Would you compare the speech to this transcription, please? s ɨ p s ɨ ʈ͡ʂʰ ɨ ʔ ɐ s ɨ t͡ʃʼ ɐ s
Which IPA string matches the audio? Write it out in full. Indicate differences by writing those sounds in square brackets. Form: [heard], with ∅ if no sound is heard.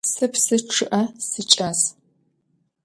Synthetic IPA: s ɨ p s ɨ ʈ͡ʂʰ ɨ ʔ ɐ s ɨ t͡ʃʼ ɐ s